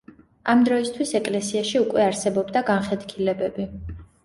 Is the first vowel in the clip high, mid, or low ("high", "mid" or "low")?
low